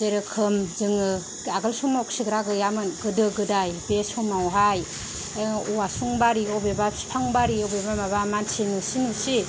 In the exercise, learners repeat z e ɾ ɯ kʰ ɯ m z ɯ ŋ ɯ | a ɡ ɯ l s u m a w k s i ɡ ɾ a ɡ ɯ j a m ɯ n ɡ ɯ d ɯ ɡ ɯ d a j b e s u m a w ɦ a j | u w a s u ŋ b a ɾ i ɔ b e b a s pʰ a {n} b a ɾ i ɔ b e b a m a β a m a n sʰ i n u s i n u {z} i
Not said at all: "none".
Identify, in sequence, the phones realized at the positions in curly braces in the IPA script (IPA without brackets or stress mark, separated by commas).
ŋ, s